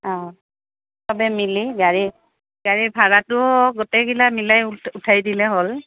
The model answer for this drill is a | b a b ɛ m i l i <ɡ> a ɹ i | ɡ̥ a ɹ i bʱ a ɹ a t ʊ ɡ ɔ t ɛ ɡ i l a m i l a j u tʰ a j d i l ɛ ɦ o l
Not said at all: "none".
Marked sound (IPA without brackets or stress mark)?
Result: ɡ